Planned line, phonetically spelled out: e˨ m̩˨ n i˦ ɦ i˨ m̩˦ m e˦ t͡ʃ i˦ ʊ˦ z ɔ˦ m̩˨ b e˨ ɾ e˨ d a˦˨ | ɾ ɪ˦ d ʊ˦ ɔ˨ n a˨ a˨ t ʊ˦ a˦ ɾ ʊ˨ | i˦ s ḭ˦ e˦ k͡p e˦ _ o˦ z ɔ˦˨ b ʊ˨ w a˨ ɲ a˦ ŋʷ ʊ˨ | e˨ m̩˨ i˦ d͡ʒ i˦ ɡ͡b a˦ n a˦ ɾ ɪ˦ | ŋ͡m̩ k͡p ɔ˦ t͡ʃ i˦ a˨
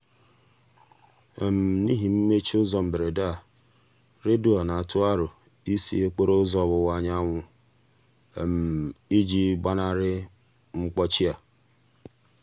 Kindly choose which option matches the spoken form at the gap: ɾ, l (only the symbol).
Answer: ɾ